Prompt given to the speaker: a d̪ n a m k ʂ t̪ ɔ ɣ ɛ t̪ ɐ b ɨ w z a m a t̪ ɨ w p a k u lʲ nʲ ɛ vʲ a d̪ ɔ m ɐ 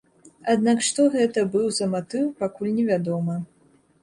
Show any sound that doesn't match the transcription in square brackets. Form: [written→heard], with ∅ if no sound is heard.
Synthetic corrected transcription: a d̪ n a [m→∅] k ʂ t̪ ɔ ɣ ɛ t̪ ɐ b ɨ w z [a→ɐ] m a t̪ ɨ w p a k u lʲ nʲ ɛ vʲ a d̪ ɔ m ɐ